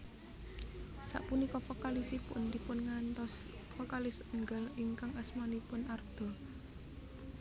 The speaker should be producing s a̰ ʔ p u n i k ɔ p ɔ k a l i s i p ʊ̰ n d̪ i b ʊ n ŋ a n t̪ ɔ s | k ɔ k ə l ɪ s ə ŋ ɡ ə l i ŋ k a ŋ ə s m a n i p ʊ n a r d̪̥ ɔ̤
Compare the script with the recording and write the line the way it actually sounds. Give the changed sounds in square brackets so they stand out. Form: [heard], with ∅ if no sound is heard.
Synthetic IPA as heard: s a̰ ʔ p u n i k ɔ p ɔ k a l i s i p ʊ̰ n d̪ i [p] ʊ n ŋ a n t̪ ɔ s | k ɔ k [a] l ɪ s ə ŋ ɡ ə l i ŋ k a ŋ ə s m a n i p ʊ n a r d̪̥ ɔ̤